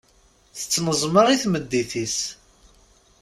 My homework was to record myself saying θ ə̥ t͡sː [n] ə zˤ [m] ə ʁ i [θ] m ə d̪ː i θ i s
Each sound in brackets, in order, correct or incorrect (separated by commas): correct, correct, correct